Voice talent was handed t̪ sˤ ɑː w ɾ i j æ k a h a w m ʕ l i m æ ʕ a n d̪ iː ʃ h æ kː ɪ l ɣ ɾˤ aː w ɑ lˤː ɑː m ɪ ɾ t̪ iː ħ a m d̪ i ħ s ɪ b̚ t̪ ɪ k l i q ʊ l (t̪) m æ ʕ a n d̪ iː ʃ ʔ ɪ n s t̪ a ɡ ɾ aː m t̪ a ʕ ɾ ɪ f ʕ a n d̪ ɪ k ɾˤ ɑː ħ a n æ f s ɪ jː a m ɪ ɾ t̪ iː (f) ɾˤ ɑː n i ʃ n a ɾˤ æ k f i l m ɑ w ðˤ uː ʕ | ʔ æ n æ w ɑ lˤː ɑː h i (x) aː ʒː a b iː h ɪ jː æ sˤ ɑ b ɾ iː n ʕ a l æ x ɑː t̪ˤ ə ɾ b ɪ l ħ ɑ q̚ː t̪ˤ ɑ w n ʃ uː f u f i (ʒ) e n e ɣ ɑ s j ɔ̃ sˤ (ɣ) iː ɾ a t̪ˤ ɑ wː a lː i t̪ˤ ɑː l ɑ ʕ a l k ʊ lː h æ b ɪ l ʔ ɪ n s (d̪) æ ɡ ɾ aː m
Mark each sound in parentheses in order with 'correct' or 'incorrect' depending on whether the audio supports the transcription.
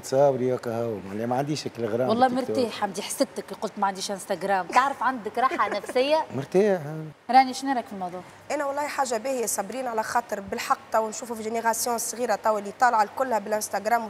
correct, incorrect: ħ, incorrect: ħ, correct, correct, incorrect: t̪

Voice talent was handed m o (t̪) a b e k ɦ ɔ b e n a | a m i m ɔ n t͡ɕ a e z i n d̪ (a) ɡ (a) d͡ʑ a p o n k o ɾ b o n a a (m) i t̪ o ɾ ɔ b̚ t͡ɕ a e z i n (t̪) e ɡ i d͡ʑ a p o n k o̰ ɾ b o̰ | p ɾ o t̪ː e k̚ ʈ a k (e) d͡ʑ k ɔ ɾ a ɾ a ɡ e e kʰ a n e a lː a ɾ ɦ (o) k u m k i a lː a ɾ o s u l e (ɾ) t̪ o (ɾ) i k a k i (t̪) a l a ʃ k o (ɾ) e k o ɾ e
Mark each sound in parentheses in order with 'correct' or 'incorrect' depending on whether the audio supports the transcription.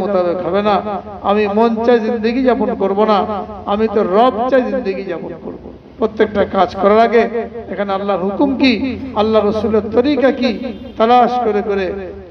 correct, incorrect: e, incorrect: i, correct, incorrect: d̪, incorrect: a, incorrect: u, correct, correct, correct, correct

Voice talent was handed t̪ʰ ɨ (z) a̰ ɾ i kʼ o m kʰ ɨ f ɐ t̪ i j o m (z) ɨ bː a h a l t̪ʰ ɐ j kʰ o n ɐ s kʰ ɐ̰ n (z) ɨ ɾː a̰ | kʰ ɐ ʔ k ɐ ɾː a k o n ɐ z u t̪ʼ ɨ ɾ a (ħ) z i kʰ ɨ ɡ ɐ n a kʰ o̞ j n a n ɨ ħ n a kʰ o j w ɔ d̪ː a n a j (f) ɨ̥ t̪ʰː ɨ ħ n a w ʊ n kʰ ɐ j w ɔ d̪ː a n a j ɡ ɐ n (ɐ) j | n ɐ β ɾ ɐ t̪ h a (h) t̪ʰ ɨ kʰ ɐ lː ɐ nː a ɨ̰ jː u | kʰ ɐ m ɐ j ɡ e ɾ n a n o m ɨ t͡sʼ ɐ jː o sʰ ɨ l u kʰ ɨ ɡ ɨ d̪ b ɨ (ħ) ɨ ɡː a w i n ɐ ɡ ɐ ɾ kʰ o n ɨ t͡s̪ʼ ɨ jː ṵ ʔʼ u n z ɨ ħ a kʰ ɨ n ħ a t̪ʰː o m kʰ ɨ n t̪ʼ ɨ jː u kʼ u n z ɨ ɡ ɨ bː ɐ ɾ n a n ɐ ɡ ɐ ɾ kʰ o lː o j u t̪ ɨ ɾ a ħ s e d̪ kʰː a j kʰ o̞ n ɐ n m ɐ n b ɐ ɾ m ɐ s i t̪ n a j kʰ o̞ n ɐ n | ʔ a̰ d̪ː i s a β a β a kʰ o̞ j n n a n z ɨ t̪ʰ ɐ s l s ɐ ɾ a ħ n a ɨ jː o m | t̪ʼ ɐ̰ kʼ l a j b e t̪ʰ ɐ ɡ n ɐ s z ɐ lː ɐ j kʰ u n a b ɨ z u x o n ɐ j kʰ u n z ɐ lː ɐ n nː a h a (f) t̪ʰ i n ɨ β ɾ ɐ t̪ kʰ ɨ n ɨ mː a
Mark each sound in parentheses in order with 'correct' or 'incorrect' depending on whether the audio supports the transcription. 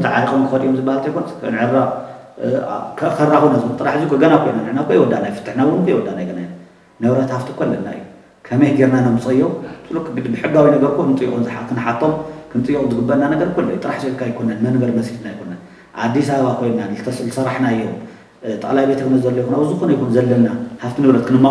incorrect: ʕ, correct, incorrect: ʕ, correct, correct, incorrect: a, incorrect: f, correct, correct

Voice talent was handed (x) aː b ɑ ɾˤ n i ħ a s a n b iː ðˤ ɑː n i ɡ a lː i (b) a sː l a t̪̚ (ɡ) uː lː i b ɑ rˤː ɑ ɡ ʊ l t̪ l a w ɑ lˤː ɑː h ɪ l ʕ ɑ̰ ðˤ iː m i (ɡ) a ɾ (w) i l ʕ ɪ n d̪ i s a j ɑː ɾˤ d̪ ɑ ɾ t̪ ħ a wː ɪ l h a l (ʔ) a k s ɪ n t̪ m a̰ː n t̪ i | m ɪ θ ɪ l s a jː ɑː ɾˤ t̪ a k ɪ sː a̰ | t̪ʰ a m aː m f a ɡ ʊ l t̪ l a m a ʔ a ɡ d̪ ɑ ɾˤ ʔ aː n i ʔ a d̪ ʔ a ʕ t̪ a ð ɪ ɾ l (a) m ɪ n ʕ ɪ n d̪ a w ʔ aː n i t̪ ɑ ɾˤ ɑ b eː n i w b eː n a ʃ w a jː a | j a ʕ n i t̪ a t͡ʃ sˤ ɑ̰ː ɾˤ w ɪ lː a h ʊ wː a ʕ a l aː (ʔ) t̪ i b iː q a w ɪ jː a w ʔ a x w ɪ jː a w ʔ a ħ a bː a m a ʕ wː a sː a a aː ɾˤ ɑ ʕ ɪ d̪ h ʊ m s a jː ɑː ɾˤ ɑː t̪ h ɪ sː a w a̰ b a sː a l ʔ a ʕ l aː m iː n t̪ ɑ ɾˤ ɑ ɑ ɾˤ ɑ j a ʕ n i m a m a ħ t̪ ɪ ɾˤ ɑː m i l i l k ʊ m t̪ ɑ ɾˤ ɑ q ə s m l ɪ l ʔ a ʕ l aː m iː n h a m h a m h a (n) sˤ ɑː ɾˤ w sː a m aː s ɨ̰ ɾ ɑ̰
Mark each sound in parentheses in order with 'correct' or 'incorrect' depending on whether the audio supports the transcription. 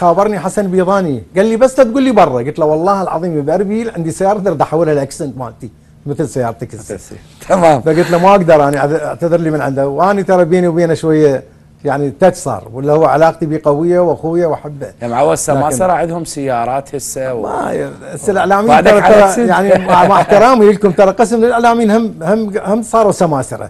correct, correct, correct, incorrect: b, incorrect: b, correct, incorrect: i, incorrect: q, incorrect: m

